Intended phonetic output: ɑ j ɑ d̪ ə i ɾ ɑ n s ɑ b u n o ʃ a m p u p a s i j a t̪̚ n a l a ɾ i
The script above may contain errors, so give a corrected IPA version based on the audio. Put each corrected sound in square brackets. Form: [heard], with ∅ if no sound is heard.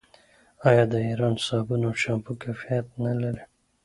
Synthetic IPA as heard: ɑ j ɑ d̪ ə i ɾ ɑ n s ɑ b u n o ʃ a m p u [k] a [f] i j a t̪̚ n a l a ɾ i